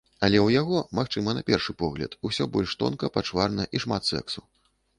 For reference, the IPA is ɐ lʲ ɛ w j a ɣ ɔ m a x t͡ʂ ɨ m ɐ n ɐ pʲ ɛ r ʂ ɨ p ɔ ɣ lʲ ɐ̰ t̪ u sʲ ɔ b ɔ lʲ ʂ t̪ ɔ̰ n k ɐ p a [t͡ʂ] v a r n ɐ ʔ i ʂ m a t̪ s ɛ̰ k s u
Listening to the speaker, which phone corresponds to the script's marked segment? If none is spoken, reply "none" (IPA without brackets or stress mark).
t͡ʂ